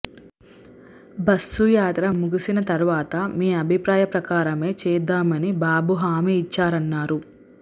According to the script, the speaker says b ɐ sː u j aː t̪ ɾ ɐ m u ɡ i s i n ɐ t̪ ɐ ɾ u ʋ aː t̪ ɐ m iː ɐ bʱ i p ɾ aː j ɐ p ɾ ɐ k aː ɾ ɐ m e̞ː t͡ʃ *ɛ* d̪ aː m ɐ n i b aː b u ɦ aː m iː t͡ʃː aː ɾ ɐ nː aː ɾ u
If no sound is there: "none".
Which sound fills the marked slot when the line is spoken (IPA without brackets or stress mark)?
ɛː